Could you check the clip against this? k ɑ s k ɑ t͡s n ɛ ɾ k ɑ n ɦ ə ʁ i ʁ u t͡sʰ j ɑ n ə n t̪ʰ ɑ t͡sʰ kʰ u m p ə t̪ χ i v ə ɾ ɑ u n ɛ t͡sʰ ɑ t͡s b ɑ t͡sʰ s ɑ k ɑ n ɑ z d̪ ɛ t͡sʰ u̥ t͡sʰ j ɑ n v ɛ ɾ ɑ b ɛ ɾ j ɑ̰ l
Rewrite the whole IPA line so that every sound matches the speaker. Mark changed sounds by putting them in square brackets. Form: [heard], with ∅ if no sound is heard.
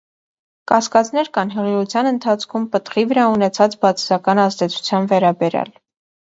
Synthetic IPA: k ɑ s k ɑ t͡s n ɛ ɾ k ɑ n ɦ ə ʁ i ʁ u t͡sʰ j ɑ n ə n t̪ʰ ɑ t͡sʰ kʰ u m p ə t̪ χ i v ə ɾ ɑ u n ɛ t͡sʰ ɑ t͡s b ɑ t͡sʰ s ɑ k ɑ n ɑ z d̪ ɛ t͡sʰ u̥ t͡sʰ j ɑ n v ɛ ɾ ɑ b ɛ ɾ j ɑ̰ l

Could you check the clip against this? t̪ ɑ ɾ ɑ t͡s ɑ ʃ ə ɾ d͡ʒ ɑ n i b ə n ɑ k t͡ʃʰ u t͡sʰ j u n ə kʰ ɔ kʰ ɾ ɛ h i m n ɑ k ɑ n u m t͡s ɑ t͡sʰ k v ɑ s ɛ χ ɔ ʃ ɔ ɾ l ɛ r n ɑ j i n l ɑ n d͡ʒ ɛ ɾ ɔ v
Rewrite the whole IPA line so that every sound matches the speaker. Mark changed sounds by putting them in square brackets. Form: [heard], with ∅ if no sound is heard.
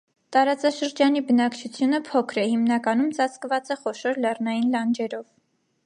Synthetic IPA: t̪ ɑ ɾ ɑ t͡s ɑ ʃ ə ɾ d͡ʒ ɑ n i b ə n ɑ k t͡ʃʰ u t͡sʰ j u n ə [pʰ] ɔ kʰ ɾ ɛ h i m n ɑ k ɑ n u m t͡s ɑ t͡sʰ k v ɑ [t͡s] ɛ χ ɔ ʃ ɔ ɾ l ɛ r n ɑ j i n l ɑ n d͡ʒ ɛ ɾ ɔ v

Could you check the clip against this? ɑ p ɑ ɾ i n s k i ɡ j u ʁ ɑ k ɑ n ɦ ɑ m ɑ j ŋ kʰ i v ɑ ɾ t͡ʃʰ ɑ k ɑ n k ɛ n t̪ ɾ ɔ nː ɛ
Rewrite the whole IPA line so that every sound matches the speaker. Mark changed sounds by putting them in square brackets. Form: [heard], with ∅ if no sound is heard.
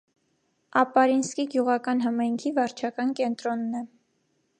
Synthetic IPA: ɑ p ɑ ɾ i n s k i ɡ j u ʁ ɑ k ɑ n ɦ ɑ m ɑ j ŋ kʰ i v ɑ ɾ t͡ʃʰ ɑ k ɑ n k ɛ n t̪ ɾ ɔ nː ɛ

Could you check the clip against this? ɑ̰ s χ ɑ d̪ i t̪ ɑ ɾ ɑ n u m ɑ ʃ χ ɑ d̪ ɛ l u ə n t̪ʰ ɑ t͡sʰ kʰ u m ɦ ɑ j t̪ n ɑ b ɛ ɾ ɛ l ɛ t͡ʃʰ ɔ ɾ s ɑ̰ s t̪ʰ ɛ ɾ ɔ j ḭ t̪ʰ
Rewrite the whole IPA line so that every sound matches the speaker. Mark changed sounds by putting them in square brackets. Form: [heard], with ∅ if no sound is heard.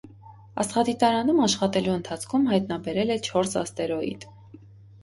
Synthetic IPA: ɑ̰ s χ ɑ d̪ i t̪ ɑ ɾ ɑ n u m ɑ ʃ χ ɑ [t̪] ɛ l u ə n t̪ʰ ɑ t͡sʰ kʰ u m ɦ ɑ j t̪ n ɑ b ɛ ɾ ɛ l ɛ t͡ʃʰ ɔ ɾ s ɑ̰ s [t̪] ɛ ɾ ɔ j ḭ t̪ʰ

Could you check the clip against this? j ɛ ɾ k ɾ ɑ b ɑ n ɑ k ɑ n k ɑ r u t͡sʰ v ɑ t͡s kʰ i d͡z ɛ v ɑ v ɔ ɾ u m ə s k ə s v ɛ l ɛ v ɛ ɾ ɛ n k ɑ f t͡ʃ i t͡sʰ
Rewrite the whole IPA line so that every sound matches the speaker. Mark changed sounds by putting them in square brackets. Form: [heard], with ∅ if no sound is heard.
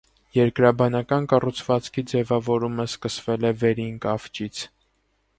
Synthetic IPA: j ɛ ɾ k ɾ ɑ b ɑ n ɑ k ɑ n k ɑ r u t͡sʰ v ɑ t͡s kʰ i d͡z ɛ v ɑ v ɔ ɾ u m ə s k ə s v ɛ l ɛ v ɛ ɾ [i] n k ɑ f t͡ʃ i t͡sʰ

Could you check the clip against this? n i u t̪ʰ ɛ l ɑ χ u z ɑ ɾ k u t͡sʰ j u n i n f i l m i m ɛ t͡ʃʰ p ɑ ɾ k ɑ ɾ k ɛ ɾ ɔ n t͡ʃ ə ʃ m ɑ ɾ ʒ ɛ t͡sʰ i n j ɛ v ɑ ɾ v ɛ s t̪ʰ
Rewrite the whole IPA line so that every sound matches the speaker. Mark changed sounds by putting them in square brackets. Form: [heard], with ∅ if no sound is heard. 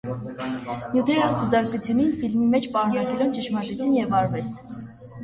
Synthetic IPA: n [j] u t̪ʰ ɛ [ɾ] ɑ χ u z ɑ ɾ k u t͡sʰ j u n i n f i l m i m ɛ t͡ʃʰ p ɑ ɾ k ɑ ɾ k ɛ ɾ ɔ n t͡ʃ ə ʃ m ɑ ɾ ʒ ɛ t͡sʰ i n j ɛ v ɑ ɾ v ɛ s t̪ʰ

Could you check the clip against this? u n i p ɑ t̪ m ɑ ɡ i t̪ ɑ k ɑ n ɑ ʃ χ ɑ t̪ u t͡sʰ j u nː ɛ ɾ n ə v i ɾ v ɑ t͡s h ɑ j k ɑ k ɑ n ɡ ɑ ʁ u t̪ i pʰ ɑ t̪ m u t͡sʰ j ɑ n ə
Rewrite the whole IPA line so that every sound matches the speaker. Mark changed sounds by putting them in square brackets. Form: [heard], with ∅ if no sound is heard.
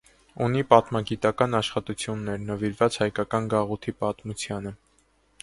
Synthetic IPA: u n i p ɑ t̪ m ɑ ɡ i t̪ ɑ k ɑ n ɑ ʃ χ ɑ t̪ u t͡sʰ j u nː ɛ ɾ n ə v i ɾ v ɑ t͡s h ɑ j k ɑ k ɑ n ɡ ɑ ʁ u [t̪ʰ] i [p] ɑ t̪ m u t͡sʰ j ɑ n ə

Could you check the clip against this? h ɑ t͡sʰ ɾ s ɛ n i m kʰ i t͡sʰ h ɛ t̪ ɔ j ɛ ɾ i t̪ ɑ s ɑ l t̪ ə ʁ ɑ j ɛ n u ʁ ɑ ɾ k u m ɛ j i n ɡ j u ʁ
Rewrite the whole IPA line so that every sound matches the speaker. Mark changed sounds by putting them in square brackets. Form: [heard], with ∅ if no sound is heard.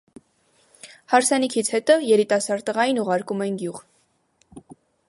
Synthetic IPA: h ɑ [∅] ɾ s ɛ n i [∅] kʰ i t͡sʰ h ɛ t̪ ɔ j ɛ ɾ i t̪ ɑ s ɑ [ɾ] t̪ ə ʁ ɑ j [i] n u ʁ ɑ ɾ k u m ɛ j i n ɡ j u ʁ

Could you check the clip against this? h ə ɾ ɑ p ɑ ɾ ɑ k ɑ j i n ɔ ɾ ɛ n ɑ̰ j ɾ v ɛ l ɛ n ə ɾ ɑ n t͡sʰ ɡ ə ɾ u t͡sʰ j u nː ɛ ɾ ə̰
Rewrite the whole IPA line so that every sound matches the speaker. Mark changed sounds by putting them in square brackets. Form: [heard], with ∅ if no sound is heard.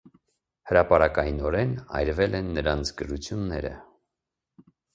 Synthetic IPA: h ə ɾ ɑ p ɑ ɾ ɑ k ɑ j i n ɔ ɾ ɛ n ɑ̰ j ɾ v ɛ l ɛ [nː] ə ɾ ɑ n t͡sʰ ɡ ə ɾ u t͡sʰ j u nː ɛ ɾ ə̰

